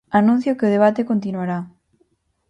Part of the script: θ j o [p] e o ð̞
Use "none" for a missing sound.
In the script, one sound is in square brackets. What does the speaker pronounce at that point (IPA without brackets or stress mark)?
k